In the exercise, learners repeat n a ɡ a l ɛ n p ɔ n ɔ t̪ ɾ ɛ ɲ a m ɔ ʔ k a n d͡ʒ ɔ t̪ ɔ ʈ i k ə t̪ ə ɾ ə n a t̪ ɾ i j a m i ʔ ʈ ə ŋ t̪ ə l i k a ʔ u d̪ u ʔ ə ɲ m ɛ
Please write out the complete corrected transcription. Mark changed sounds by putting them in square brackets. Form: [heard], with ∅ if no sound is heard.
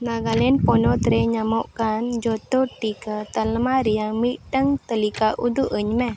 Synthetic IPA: n a ɡ a l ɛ n p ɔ n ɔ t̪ ɾ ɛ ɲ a m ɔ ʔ k a n d͡ʒ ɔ t̪ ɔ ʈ i k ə t̪ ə [l] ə [m] a [∅] ɾ i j a m i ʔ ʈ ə ŋ t̪ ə l i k a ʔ u d̪ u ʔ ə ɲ m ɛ